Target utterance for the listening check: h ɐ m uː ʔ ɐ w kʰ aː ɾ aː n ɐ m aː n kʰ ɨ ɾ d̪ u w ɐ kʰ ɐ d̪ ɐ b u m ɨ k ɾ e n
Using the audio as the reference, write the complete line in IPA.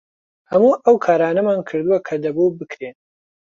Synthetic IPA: h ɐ m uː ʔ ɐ w kʰ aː ɾ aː n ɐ m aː n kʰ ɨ ɾ d̪ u w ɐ kʰ ɐ d̪ ɐ b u b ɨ k ɾ e n